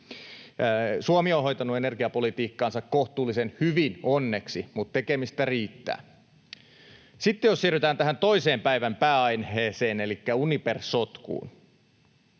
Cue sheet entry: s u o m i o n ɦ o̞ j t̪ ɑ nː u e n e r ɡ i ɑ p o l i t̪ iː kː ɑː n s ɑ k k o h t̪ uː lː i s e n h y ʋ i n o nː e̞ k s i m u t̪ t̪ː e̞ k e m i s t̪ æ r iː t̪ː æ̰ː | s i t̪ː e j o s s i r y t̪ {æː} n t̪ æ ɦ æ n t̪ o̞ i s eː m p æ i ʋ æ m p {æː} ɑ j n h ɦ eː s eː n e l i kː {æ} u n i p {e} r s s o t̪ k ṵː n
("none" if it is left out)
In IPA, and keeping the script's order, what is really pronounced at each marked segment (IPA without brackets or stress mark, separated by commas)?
æː, æː, æ, e